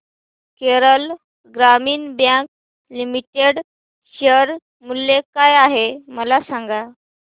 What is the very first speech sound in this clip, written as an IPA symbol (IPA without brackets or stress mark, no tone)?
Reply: k